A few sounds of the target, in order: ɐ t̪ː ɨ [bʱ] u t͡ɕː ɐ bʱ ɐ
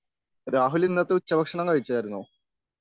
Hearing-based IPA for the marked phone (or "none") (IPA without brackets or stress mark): none